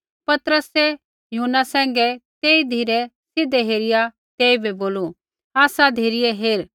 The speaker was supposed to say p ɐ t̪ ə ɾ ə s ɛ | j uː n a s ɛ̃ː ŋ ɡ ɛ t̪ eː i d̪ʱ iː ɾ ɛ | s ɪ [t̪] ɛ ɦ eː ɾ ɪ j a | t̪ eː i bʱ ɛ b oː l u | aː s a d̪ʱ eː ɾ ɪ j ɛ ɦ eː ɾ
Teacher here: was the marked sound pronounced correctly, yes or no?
no